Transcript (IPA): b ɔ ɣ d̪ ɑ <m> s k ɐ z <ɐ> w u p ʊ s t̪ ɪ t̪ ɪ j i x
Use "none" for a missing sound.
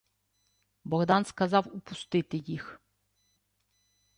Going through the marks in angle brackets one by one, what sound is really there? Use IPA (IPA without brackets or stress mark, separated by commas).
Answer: n, ɑ